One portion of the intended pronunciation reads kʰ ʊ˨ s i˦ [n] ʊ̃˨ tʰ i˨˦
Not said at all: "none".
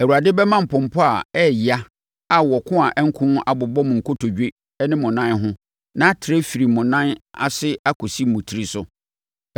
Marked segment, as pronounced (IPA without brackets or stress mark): m